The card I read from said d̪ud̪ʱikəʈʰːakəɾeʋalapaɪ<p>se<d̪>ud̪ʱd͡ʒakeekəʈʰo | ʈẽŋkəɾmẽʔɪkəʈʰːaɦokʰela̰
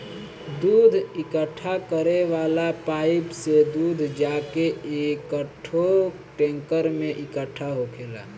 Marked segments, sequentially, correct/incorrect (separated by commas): correct, correct